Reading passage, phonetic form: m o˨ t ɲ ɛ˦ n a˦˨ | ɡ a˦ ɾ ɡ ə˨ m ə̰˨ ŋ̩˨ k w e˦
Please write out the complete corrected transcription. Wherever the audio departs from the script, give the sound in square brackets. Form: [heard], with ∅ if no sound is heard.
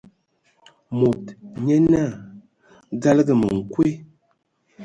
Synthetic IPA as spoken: m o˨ t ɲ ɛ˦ n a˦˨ | ɡ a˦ [l] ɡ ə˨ m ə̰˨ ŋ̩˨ k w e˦

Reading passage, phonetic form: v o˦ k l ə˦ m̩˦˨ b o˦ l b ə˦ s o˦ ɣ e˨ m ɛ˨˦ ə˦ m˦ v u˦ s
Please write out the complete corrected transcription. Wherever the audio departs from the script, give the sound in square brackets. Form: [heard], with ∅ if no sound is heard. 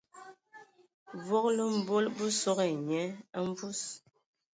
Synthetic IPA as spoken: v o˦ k l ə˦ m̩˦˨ b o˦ l b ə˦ s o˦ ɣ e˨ [ɲ] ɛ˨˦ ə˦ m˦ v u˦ s

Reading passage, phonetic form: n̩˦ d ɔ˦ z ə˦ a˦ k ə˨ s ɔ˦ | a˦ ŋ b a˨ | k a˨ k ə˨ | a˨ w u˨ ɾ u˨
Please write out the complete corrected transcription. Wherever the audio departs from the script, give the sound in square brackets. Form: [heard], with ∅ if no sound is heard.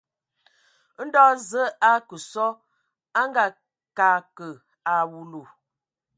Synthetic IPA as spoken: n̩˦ d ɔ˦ z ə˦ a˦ k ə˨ s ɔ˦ | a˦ ŋ [ɡ] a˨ | k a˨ k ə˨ | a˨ w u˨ [l] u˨

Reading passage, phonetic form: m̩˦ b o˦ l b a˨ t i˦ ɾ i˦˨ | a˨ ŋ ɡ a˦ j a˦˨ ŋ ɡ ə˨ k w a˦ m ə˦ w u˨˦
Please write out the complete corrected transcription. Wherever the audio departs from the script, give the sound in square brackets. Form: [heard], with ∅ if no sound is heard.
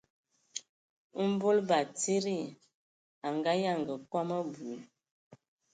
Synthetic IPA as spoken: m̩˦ b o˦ l b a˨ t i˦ ɾ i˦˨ | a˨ ŋ ɡ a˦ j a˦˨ ŋ ɡ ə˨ k w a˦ m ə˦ [b] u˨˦

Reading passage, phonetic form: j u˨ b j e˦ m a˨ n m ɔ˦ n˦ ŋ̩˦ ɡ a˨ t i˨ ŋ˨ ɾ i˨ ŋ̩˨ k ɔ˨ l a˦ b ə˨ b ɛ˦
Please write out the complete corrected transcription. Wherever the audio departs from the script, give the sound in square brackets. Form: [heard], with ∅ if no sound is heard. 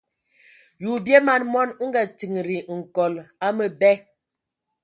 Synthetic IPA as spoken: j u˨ b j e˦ m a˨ n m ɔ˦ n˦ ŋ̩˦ ɡ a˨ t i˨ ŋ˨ ɾ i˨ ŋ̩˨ k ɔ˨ l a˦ [m] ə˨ b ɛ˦

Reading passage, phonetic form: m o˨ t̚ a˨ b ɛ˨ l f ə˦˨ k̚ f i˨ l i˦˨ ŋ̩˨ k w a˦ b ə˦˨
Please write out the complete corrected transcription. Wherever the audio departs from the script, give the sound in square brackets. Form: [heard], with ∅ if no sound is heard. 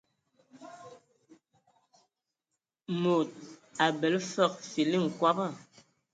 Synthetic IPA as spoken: m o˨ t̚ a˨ b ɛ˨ l f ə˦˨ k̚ f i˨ l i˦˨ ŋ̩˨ k w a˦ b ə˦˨

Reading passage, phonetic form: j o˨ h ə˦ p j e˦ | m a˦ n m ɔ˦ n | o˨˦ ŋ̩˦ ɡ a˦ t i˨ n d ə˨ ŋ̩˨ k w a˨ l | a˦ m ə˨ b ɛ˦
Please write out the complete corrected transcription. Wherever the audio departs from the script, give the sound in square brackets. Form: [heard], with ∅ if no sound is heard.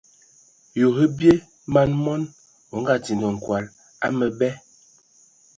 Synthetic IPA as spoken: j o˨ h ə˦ [b] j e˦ | m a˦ n m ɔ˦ n | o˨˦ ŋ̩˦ ɡ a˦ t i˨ n d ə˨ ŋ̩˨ k w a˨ l | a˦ m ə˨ b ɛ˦

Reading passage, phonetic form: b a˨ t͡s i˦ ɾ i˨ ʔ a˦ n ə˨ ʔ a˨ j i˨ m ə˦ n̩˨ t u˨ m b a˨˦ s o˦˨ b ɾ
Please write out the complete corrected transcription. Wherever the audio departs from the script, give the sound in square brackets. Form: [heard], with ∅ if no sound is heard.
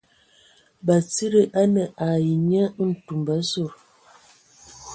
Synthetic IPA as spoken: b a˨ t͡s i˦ ɾ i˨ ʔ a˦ n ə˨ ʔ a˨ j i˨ [ɲ] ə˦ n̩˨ t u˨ m b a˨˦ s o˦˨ [∅] ɾ

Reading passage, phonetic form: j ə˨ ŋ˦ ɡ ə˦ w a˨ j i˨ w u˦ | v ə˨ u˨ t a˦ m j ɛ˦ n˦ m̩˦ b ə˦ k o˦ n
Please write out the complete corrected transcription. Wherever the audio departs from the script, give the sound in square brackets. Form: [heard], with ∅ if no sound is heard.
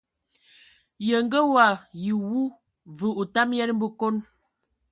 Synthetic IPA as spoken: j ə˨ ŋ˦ ɡ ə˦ w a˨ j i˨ w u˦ | v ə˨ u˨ t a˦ m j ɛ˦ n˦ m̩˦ b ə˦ k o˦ n

